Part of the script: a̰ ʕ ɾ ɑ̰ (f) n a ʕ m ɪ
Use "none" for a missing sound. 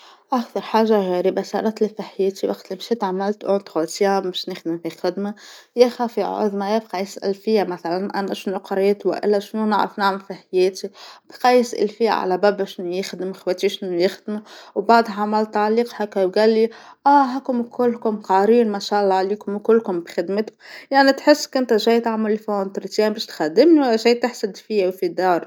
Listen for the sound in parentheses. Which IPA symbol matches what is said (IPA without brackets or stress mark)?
f